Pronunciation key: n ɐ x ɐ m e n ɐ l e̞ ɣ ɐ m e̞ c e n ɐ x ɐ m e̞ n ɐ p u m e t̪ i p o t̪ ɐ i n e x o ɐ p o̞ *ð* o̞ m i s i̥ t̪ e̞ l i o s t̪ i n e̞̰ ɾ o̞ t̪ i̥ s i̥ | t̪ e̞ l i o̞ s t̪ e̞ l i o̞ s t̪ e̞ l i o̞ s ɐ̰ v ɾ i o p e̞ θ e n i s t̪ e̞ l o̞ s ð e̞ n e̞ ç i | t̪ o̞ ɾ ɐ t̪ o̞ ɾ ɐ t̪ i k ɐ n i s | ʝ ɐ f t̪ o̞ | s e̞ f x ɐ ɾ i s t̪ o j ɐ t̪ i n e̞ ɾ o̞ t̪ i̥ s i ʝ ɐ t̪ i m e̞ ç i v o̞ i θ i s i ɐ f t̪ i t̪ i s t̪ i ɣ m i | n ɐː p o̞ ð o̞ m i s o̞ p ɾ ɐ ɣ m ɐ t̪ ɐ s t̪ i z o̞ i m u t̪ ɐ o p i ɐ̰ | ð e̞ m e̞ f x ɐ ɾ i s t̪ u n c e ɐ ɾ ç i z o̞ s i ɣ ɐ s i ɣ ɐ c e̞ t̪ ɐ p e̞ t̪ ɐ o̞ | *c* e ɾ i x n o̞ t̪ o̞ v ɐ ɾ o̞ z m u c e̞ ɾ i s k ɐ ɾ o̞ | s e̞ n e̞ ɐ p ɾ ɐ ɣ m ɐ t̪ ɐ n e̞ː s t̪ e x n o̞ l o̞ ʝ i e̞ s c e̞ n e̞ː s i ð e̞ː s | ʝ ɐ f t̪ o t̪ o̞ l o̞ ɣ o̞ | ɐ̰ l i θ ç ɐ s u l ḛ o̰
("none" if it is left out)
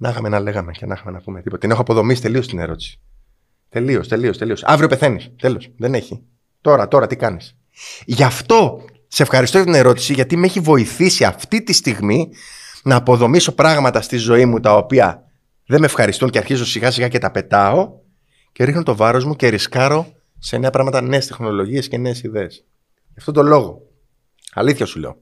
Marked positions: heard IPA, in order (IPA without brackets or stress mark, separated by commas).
ð, c